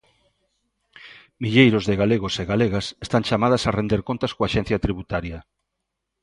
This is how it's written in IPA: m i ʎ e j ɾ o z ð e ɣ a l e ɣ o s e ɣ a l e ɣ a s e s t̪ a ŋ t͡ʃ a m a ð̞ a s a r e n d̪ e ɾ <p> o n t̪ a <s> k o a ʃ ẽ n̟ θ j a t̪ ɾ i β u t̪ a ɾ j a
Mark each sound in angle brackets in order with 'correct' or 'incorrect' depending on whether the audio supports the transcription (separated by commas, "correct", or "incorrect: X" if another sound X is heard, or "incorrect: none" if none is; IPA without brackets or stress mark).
incorrect: k, correct